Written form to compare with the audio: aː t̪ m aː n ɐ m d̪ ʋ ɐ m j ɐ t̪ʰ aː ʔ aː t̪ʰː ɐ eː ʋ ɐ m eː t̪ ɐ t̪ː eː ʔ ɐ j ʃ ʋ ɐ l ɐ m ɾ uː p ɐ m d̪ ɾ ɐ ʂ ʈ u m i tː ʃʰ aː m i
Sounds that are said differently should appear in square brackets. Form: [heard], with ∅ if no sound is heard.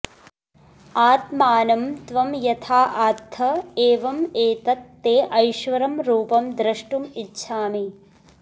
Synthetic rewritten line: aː t̪ m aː n ɐ m [t̪] ʋ ɐ m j ɐ t̪ʰ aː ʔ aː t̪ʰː ɐ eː ʋ ɐ m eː t̪ ɐ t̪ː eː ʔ ɐ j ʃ ʋ ɐ [ɾ] ɐ m ɾ uː p ɐ m d̪ ɾ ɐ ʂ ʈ u m i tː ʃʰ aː m i